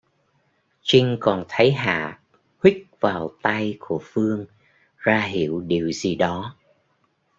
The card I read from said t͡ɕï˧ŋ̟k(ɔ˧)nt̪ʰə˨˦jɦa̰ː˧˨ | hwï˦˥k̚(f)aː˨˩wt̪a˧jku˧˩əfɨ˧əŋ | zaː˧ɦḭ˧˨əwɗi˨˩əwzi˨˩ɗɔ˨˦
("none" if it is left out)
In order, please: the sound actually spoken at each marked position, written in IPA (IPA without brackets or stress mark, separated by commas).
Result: ɔ˨˩, v